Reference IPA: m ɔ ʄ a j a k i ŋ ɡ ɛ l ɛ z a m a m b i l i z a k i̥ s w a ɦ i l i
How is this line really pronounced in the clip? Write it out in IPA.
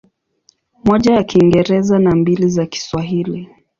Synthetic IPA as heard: m ɔ ʄ a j a k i ŋ ɡ ɛ ɾ ɛ z a n a m b i l i z a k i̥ s w a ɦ i l i